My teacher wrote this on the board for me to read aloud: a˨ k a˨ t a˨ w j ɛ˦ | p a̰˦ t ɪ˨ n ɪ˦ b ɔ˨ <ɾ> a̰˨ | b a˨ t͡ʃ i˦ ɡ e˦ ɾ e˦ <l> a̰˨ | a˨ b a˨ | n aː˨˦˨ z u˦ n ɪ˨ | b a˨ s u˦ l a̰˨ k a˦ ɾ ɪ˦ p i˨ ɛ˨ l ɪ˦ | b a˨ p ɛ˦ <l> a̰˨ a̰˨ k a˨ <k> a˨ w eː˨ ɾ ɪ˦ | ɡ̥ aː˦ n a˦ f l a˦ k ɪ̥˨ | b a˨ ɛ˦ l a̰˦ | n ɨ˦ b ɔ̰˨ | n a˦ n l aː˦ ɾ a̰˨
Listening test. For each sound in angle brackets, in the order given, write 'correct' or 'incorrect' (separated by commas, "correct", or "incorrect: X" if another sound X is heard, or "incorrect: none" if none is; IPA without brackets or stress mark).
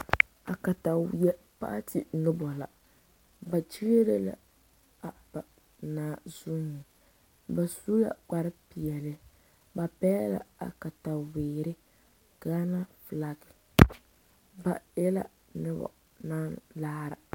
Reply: incorrect: l, correct, correct, incorrect: t